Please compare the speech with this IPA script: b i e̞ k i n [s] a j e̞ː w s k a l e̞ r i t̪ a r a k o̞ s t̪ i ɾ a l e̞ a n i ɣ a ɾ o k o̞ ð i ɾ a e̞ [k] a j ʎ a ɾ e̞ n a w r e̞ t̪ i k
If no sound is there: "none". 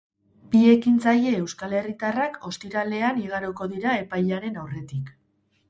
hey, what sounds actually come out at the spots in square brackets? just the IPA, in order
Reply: t͡s, p

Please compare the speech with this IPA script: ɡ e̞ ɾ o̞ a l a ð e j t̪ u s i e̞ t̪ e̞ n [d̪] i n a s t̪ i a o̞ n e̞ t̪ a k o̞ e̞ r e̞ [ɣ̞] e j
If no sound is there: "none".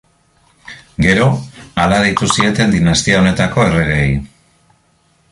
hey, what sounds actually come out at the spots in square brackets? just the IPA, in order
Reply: d̪, ɣ̞

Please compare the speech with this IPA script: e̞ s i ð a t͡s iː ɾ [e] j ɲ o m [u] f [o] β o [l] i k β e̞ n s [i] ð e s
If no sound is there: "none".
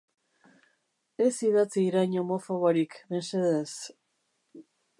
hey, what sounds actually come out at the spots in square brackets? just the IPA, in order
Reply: a, o, o, ɾ, e

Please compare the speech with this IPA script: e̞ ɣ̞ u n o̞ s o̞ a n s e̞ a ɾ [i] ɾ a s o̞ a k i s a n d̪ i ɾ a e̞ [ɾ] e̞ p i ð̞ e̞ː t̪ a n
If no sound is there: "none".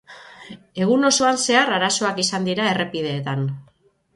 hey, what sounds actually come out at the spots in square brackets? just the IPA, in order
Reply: a, r

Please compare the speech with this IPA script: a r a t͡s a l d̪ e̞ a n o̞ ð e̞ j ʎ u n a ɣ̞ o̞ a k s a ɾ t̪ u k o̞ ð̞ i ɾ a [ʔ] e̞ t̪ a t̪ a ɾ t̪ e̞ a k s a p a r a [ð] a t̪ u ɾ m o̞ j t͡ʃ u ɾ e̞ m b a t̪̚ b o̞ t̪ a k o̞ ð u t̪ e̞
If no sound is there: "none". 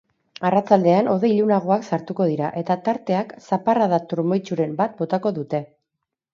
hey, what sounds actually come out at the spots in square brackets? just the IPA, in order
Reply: ʔ, ð

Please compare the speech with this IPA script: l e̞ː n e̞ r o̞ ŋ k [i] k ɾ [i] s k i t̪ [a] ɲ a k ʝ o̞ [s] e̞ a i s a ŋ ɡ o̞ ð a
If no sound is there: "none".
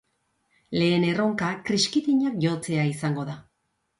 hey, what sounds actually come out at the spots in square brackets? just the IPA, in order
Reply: a, i, i, t͡s

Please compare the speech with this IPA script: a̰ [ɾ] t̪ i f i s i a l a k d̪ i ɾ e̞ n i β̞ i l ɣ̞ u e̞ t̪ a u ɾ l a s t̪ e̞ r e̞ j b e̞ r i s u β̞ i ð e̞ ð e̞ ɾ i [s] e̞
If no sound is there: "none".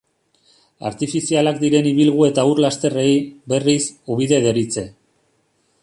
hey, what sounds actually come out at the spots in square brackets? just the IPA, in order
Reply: ɾ, t͡s

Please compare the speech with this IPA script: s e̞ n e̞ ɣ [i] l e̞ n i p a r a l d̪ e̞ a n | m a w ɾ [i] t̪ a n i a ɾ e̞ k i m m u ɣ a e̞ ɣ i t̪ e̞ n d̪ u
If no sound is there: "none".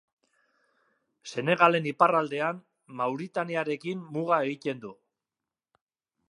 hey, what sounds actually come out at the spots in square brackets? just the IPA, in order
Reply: a, i

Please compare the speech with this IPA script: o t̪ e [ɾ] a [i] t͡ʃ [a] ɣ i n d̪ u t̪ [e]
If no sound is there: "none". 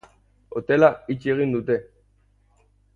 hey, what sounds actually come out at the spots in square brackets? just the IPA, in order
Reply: l, i, e, e

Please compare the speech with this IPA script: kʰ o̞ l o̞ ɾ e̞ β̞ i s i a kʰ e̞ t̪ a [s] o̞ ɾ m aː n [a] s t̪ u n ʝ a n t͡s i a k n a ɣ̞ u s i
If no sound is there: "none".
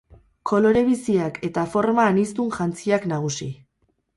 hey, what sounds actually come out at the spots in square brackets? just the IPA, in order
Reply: f, i

